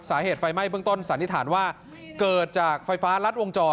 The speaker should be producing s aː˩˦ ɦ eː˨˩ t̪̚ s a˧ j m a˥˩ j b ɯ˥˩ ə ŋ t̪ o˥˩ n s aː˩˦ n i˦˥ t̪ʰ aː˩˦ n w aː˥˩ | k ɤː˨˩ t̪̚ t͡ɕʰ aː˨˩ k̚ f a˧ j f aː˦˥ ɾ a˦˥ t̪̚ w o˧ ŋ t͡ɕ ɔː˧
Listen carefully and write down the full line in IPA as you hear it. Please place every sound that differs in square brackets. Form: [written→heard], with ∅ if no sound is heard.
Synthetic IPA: s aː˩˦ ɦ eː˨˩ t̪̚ [s→f] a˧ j m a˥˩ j b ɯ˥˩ ə ŋ t̪ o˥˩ n s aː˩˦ n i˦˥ t̪ʰ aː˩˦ n w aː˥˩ | k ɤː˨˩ t̪̚ [t͡ɕʰ→t͡ɕ] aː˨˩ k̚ f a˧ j f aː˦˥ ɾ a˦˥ t̪̚ w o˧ ŋ t͡ɕ ɔː˧

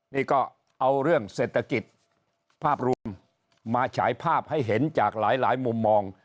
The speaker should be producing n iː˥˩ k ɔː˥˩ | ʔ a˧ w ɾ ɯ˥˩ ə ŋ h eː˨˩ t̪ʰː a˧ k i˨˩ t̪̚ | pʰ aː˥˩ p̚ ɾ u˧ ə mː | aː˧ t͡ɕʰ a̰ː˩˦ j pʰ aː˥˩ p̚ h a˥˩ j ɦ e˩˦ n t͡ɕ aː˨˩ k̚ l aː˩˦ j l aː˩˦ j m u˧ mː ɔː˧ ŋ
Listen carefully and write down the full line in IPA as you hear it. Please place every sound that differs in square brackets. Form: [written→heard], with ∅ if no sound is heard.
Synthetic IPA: n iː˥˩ k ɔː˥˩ | ʔ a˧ w ɾ ɯ˥˩ ə ŋ [h→s] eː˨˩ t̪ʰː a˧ k i˨˩ t̪̚ | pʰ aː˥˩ p̚ ɾ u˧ ə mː | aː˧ t͡ɕʰ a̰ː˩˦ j pʰ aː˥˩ p̚ h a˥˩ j ɦ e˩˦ n t͡ɕ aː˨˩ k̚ l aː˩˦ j l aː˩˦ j m u˧ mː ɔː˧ ŋ

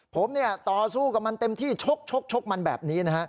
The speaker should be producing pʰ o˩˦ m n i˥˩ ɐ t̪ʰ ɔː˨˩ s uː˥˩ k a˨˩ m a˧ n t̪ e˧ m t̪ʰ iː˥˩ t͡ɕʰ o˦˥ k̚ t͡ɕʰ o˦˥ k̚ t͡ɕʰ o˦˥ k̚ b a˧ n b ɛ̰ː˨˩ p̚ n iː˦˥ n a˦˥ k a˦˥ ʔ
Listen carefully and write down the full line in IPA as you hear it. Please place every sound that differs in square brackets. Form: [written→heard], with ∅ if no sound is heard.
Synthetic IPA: pʰ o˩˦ m n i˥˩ ɐ [t̪ʰ→t̪] ɔː˨˩ s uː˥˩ k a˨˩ m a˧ n t̪ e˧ m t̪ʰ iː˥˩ t͡ɕʰ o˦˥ k̚ t͡ɕʰ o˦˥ k̚ t͡ɕʰ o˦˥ k̚ [b→m] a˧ n b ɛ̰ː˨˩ p̚ n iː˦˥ n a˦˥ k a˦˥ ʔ

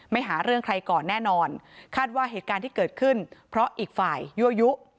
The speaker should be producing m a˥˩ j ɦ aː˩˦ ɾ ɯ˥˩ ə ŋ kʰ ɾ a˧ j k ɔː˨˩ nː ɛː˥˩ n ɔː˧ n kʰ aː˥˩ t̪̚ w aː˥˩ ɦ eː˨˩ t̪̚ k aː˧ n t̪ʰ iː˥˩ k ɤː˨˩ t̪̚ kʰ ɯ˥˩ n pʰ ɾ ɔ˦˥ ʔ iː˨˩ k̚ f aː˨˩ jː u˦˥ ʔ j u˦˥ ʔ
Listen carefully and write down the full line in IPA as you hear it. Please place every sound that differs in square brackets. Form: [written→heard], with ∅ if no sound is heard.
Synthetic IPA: m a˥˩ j ɦ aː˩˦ ɾ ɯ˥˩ ə ŋ kʰ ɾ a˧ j k ɔː˨˩ nː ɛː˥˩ n ɔː˧ n kʰ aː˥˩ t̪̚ w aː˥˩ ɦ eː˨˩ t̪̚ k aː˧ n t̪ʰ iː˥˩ k ɤː˨˩ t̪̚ kʰ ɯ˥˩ n pʰ ɾ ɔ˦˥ ʔ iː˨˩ k̚ f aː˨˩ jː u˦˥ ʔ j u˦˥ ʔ

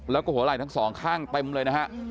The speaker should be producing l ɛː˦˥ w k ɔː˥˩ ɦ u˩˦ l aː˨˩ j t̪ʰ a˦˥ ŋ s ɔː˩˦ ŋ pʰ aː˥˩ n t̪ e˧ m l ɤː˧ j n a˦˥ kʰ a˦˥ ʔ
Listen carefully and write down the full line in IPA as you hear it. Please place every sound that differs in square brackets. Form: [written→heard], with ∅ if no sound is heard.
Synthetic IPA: l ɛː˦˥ w k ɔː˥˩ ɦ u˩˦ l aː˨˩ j t̪ʰ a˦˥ ŋ s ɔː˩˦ ŋ [pʰ→kʰ] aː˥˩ [n→ŋ] t̪ e˧ m l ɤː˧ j n a˦˥ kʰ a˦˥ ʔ

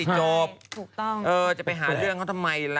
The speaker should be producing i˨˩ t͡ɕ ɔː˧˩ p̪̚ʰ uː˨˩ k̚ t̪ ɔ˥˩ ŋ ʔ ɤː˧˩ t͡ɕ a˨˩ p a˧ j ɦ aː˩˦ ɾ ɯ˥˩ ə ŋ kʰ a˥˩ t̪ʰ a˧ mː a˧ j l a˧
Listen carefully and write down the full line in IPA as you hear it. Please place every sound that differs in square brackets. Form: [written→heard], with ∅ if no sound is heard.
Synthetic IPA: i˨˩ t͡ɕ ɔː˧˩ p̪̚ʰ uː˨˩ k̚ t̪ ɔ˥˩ ŋ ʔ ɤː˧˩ t͡ɕ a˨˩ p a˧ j ɦ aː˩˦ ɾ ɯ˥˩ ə ŋ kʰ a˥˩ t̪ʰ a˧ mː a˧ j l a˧

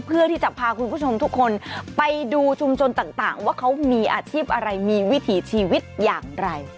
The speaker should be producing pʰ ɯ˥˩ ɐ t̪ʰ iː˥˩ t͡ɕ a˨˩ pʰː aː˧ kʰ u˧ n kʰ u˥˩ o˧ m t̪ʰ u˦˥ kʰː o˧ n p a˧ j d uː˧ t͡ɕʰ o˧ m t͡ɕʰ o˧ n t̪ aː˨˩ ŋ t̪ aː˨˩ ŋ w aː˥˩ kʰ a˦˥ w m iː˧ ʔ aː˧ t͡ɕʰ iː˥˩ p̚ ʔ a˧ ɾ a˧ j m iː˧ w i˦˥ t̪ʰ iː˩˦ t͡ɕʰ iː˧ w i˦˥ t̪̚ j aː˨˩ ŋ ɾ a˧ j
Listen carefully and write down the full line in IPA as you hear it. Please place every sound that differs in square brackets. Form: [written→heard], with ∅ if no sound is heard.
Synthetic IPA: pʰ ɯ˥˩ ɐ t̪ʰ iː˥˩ t͡ɕ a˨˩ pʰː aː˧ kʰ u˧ n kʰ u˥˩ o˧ m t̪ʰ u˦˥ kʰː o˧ n p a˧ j d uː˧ t͡ɕʰ [o˧→u˧] m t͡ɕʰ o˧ n t̪ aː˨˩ ŋ t̪ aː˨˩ ŋ w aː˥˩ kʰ a˦˥ w m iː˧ ʔ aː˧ t͡ɕʰ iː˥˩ p̚ ʔ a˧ ɾ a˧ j m iː˧ w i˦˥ t̪ʰ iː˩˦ t͡ɕʰ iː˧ w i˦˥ t̪̚ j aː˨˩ ŋ ɾ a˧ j

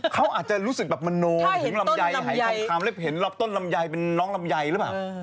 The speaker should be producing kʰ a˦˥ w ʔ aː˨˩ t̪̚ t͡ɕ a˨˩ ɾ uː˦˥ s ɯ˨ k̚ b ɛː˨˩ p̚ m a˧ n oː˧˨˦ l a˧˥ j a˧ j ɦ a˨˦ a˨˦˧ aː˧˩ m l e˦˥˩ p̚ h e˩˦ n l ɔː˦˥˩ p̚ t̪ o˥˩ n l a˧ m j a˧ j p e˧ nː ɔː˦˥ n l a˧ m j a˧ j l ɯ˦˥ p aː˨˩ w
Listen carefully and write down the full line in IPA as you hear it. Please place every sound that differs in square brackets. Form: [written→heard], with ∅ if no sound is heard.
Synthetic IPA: kʰ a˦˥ w ʔ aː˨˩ t̪̚ t͡ɕ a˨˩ ɾ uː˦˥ s ɯ˨ k̚ b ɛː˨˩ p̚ m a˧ n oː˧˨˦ l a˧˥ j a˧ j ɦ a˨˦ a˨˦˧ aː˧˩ m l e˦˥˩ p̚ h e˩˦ n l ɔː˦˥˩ p̚ t̪ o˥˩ n l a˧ m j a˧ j p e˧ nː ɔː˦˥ [n→ŋ] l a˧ m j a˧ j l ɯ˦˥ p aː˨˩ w

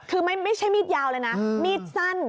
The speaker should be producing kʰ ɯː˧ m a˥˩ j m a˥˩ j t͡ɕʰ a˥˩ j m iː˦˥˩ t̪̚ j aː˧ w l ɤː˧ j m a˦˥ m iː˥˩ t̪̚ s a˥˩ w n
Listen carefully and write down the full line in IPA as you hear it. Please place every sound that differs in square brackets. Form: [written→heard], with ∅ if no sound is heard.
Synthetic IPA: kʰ ɯː˧ m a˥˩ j m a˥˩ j t͡ɕʰ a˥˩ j m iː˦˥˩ t̪̚ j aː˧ w l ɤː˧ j [m→n] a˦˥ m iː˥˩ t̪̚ s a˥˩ [w→∅] n

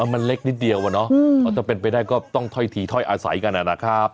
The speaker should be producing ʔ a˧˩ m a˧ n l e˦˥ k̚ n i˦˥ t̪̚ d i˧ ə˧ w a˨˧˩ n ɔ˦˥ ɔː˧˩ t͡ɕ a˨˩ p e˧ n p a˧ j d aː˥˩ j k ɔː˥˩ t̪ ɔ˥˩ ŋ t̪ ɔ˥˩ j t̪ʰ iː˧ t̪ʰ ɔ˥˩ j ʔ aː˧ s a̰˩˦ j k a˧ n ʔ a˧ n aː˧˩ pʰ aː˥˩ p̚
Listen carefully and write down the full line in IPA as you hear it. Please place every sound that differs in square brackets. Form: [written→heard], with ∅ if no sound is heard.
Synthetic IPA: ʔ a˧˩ m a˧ n l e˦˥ k̚ n i˦˥ t̪̚ d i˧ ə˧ w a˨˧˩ n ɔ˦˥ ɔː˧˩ t͡ɕ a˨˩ p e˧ n p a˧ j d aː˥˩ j k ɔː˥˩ t̪ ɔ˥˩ ŋ [t̪→t̪ʰ] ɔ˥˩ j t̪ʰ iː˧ t̪ʰ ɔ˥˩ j ʔ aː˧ s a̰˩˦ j k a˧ n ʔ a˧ n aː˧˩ [pʰ→kʰ] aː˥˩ p̚

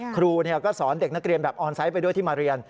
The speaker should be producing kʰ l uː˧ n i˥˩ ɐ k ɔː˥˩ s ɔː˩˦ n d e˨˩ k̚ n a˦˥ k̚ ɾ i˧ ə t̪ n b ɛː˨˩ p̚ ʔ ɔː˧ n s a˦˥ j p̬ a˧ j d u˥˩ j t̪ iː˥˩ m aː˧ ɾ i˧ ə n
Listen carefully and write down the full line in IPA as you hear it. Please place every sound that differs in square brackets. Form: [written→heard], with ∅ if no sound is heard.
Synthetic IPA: kʰ [l→ɾ] uː˧ n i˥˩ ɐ k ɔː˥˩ s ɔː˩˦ n d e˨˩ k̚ n a˦˥ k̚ ɾ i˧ ə [t̪→∅] n b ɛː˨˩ p̚ ʔ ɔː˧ n s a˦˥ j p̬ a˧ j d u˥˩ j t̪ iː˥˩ m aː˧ ɾ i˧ ə n

